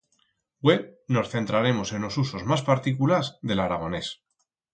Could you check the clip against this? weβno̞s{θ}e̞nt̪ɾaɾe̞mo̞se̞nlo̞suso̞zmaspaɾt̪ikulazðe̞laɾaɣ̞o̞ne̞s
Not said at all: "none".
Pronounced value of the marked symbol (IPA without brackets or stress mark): θ